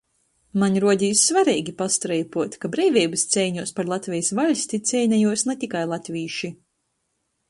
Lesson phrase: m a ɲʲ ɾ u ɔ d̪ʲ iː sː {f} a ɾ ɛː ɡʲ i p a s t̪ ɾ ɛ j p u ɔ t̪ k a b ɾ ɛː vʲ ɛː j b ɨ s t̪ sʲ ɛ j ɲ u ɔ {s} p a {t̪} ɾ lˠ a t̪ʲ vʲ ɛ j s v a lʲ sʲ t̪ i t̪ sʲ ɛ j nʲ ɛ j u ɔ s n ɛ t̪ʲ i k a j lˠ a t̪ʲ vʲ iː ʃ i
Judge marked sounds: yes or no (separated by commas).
no, yes, no